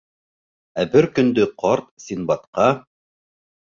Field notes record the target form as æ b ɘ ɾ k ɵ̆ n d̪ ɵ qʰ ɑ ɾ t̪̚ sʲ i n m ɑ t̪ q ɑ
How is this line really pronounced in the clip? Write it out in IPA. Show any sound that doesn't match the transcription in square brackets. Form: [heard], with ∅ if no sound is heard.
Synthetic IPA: æ b ɘ ɾ k ɵ̆ n d̪ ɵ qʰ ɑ ɾ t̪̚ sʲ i n [b] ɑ t̪ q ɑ